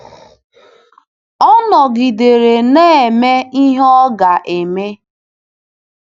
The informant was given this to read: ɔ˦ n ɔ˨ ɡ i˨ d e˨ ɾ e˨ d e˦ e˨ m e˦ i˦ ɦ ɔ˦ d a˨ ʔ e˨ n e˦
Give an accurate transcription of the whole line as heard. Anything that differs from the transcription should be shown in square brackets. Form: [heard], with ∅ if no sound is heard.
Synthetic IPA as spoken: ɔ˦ n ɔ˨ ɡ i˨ d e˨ ɾ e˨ [n] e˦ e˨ m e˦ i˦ ɦ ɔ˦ [ɡ] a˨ ʔ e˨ [m] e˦